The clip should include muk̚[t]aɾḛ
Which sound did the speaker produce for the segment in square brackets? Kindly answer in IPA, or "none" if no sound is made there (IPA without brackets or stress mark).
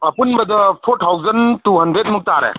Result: t